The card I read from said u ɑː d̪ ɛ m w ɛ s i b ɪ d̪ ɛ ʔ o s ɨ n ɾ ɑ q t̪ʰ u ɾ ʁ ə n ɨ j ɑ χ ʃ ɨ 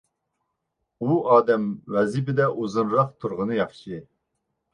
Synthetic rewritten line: u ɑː d̪ ɛ m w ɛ z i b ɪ d̪ ɛ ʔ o z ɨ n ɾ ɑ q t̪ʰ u ɾ ʁ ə n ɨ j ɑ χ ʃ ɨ